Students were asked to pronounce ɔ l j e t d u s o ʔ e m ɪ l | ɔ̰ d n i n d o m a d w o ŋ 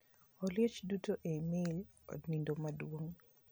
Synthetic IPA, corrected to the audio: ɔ l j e t͡ʃ d u t o ʔ e m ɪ l | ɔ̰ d n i n d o m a d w o ŋ